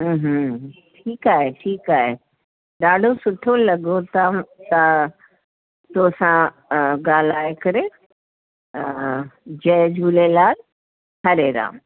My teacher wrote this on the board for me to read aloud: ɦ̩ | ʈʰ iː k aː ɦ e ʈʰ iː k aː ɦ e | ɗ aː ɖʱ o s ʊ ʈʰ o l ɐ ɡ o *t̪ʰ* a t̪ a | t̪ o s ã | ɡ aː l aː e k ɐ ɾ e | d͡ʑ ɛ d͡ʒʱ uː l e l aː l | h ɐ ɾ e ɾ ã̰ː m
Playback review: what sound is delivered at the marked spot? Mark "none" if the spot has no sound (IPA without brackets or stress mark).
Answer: t̪